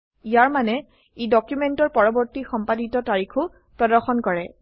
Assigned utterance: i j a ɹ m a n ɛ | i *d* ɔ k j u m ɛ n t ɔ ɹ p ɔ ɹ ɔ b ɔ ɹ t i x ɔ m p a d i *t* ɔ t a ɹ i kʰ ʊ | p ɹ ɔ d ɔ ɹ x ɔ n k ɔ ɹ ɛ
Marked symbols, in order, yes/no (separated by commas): yes, yes